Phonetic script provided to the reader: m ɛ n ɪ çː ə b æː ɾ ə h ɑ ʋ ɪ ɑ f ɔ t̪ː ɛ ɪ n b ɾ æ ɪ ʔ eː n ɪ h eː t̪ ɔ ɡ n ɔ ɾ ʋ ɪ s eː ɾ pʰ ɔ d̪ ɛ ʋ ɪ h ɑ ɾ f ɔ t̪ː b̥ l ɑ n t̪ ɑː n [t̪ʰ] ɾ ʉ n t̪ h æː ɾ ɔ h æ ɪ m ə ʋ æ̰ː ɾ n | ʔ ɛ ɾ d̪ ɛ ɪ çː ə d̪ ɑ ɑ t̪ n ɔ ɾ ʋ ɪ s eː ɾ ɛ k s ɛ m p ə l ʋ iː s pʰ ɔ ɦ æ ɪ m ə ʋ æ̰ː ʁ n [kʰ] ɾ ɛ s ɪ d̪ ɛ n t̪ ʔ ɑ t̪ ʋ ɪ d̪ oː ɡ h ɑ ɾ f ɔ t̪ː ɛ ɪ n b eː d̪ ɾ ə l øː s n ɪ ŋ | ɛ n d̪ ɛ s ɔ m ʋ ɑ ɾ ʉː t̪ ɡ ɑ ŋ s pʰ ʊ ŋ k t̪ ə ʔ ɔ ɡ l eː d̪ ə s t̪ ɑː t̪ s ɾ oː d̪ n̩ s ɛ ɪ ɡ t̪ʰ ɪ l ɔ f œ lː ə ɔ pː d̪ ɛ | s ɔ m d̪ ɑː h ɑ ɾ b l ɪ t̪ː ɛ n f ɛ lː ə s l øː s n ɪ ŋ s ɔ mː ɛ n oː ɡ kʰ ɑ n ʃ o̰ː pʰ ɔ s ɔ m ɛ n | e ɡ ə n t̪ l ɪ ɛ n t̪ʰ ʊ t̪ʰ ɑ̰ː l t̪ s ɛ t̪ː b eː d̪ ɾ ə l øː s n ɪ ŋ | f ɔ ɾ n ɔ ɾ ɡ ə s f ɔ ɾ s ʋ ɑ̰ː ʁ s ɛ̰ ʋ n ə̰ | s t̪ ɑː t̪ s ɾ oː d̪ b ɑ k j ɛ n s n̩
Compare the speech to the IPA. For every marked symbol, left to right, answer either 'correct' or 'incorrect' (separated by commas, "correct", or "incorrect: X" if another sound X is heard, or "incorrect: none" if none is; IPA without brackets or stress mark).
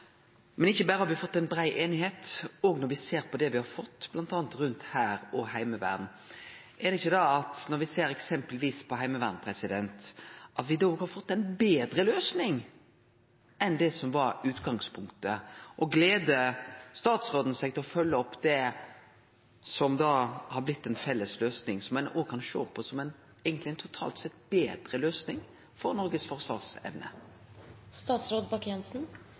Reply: incorrect: t̪, incorrect: pʰ